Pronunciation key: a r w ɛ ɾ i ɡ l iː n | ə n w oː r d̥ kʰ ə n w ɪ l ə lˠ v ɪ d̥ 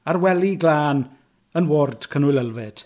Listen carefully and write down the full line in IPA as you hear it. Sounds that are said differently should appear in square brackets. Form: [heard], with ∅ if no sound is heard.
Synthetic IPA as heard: a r w ɛ [l] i ɡ l [aː] n | ə n w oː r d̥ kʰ ə n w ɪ l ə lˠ v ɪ d̥